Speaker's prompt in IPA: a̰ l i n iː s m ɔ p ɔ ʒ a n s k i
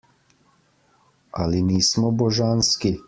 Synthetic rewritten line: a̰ l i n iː s m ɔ b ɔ ʒ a n s k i